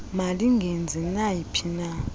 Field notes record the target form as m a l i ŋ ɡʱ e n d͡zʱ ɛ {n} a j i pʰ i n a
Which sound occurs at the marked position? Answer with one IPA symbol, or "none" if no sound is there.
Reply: n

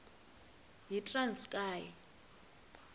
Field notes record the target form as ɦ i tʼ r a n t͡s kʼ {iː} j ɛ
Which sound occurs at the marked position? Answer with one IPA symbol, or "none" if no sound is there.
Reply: aː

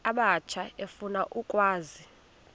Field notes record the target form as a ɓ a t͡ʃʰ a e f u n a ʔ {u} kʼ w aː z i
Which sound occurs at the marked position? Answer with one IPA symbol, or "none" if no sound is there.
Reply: u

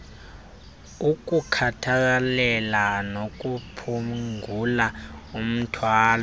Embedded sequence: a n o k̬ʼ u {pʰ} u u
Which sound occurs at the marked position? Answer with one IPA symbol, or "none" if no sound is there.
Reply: pʰ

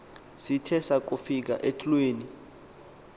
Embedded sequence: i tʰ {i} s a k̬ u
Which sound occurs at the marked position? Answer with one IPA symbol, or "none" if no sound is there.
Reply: ɛ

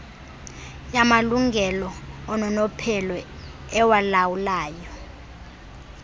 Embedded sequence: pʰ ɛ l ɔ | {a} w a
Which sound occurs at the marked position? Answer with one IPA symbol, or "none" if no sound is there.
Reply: ɛ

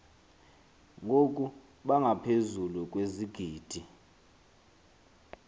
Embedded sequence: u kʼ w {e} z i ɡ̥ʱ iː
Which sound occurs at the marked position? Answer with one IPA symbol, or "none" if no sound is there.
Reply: e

